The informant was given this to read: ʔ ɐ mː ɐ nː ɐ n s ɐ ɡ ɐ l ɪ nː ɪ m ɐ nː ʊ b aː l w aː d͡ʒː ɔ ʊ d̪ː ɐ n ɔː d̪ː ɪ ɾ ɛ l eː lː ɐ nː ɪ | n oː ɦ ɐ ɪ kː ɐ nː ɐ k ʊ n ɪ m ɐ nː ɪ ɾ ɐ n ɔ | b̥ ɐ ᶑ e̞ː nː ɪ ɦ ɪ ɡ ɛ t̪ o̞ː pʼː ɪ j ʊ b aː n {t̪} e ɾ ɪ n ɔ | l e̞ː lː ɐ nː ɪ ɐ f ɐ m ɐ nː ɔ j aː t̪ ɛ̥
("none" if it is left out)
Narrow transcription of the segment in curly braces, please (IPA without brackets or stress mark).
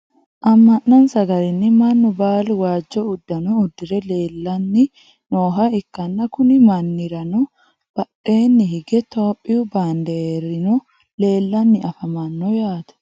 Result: d̪